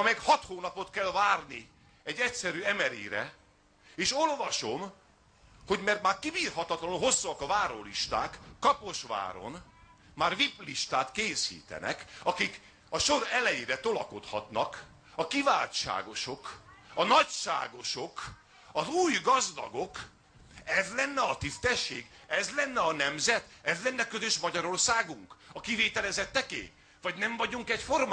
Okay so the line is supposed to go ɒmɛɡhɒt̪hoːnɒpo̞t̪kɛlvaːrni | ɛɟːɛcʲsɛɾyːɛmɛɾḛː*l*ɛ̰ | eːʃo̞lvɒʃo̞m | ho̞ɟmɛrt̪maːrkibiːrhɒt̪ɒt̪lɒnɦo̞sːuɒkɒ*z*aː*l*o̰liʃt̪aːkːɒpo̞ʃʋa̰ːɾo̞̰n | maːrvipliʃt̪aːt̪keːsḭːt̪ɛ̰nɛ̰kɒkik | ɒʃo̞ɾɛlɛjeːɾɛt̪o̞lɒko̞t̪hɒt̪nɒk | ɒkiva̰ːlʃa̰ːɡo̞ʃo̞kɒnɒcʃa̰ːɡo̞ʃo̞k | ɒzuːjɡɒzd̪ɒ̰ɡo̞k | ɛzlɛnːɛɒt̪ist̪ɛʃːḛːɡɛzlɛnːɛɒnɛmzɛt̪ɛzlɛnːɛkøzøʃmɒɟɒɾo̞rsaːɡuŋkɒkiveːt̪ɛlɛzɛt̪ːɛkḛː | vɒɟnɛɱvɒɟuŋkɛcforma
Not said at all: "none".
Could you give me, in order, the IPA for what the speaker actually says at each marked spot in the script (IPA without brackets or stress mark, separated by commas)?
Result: ɾ, v, ɾ